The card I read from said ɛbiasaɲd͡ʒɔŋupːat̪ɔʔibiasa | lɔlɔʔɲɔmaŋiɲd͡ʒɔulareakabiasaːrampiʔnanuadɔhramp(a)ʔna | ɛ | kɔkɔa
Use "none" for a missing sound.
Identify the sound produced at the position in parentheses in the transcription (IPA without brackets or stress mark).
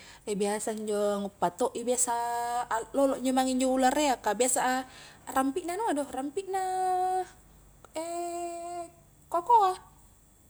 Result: i